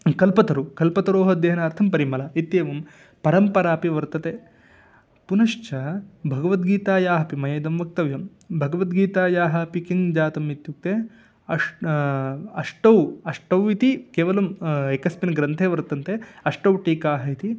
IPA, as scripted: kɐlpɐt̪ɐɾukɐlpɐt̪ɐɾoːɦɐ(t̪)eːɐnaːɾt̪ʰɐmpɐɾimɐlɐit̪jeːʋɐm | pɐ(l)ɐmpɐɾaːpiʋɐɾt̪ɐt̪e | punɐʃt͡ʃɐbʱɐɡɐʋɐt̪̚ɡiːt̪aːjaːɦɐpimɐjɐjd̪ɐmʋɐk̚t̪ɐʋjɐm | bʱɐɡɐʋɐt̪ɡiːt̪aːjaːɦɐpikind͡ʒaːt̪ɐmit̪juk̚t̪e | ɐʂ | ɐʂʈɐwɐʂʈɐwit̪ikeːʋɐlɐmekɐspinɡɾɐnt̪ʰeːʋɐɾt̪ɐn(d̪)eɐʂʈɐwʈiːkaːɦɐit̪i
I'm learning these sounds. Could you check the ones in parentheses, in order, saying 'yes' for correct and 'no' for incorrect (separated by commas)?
no, no, no